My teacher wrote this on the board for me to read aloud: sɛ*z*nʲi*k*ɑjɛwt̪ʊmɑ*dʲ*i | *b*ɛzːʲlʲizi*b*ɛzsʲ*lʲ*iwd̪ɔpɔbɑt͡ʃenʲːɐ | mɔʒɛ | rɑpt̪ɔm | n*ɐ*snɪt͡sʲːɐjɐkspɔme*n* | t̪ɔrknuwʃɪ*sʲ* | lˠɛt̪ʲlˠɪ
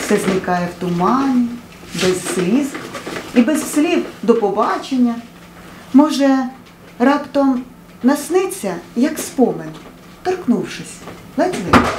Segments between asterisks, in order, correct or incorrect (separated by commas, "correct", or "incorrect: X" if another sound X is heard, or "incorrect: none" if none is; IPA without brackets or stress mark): correct, correct, incorrect: nʲ, correct, correct, correct, correct, correct, correct